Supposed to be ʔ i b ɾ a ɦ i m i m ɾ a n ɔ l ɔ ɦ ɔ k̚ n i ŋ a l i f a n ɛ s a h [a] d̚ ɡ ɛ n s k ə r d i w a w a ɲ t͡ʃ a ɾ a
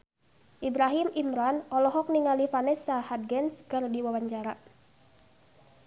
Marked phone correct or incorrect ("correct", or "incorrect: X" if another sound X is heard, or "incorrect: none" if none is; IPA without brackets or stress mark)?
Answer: correct